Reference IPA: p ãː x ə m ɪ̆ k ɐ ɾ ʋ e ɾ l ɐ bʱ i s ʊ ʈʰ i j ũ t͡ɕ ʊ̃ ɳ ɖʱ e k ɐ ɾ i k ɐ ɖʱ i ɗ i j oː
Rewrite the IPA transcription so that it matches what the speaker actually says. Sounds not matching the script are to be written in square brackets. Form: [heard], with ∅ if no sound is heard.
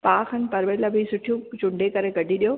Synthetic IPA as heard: p [aː] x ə [n] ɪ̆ [p] ɐ ɾ ʋ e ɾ l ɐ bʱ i s ʊ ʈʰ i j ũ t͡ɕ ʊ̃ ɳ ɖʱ e k ɐ ɾ [e] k ɐ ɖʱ i ɗ i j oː